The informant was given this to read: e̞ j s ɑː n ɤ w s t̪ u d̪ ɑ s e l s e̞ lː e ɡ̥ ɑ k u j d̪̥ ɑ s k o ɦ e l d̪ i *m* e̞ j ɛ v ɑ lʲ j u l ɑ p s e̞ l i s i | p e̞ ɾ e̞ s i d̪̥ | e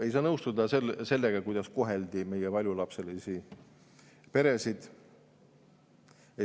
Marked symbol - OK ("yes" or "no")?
yes